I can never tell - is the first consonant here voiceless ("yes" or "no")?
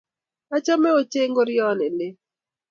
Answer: yes